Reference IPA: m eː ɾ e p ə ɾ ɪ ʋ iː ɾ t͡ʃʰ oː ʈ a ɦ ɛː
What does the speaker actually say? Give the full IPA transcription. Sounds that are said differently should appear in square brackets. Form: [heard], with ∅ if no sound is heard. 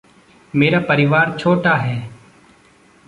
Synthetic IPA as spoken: m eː ɾ [a] p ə ɾ ɪ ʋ [aː] ɾ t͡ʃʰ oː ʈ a ɦ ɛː